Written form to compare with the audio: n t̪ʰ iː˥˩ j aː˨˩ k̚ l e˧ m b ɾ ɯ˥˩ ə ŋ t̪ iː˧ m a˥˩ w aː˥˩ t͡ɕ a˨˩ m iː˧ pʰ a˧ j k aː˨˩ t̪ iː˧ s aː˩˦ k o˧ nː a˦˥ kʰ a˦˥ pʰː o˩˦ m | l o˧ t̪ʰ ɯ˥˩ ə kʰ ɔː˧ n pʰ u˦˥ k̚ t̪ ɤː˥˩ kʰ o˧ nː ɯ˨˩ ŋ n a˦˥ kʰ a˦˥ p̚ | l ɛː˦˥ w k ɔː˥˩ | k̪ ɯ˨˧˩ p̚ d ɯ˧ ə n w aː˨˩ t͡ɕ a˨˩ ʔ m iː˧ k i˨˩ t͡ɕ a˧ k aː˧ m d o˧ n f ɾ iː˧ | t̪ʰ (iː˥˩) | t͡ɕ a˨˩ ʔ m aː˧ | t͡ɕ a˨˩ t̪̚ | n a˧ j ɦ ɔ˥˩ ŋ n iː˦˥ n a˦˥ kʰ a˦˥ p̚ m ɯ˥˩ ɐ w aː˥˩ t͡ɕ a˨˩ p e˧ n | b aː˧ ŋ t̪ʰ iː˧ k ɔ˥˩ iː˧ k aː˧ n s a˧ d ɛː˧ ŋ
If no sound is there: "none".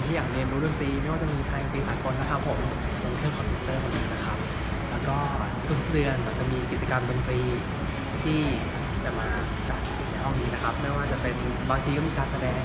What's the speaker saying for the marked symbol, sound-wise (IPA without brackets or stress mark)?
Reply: iː˥˩